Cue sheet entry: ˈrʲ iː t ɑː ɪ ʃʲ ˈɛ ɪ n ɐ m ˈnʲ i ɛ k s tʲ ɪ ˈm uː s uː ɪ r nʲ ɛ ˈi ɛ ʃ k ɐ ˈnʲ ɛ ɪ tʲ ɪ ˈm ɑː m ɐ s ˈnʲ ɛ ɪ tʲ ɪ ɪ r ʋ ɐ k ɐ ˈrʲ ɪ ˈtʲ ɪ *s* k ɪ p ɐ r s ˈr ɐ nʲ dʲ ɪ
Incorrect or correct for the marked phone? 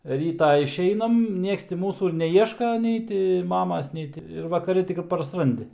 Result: incorrect: none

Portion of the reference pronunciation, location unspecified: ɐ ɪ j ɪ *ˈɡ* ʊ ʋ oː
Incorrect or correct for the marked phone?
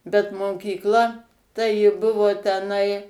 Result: incorrect: b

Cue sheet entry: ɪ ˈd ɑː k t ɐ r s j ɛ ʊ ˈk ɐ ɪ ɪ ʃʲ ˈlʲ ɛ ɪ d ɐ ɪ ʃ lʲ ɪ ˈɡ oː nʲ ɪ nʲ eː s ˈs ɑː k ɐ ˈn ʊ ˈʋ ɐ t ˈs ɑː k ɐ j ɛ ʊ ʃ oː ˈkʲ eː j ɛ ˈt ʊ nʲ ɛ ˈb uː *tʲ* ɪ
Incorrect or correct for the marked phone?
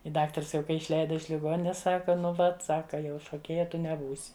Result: incorrect: sʲ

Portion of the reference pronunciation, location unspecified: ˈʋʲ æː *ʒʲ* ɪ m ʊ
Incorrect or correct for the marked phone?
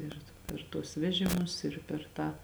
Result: correct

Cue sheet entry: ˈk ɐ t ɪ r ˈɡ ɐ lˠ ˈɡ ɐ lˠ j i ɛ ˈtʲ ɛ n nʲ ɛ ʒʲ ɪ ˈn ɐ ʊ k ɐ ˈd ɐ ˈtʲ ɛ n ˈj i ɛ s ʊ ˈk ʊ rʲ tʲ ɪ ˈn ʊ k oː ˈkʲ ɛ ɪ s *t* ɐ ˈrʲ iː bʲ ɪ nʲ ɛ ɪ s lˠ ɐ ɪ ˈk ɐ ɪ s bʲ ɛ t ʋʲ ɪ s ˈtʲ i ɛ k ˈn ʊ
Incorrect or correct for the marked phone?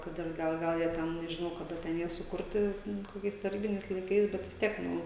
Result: correct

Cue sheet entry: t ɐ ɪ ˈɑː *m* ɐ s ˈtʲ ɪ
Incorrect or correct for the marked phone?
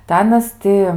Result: incorrect: n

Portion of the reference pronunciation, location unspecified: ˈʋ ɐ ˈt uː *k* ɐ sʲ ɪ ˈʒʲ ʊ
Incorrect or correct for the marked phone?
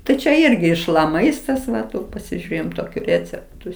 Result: incorrect: p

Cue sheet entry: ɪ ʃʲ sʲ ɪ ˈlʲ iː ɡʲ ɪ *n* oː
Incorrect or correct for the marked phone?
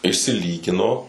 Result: correct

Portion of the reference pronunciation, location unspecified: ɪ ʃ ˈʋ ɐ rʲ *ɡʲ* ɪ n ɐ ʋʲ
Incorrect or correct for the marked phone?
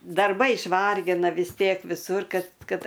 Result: correct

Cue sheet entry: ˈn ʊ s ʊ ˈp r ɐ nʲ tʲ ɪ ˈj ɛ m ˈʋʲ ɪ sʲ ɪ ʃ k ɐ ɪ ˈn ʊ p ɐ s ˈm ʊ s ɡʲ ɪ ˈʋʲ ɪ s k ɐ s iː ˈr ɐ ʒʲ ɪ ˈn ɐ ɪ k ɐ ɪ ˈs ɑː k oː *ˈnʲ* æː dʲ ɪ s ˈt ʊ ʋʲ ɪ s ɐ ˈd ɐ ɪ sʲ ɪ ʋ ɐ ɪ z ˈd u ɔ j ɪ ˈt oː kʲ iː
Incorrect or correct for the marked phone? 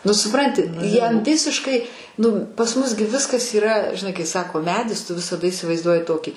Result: incorrect: mʲ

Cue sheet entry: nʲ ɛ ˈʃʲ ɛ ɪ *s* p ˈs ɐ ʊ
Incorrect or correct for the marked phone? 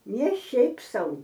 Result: incorrect: none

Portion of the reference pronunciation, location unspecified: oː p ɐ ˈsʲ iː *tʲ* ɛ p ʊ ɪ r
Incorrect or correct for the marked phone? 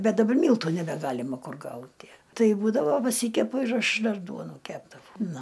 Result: incorrect: kʲ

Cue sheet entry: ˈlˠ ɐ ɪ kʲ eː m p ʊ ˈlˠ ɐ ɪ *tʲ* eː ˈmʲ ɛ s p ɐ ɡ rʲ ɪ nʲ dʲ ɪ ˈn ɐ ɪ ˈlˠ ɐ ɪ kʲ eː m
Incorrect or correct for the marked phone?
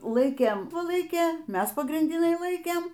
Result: incorrect: kʲ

